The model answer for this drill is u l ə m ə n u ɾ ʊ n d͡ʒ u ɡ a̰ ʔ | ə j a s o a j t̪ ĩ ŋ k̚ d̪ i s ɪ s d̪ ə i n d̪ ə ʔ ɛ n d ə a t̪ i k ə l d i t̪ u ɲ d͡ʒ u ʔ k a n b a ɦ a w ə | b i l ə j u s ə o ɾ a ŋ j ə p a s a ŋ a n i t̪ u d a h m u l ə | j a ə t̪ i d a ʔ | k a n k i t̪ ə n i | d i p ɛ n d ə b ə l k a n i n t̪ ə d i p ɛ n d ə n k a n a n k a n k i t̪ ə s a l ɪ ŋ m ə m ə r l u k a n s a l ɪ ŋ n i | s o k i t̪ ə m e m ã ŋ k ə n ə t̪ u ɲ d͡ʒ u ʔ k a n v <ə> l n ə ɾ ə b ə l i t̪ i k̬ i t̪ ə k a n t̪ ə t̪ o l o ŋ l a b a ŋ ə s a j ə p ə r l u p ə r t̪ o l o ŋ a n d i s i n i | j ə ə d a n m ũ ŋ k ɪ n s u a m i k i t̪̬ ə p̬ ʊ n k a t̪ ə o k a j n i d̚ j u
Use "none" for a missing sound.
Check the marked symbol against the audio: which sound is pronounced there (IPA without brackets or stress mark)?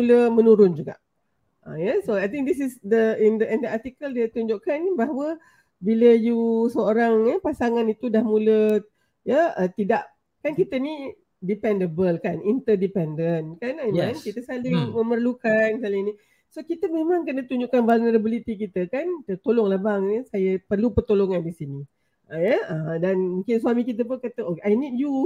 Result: a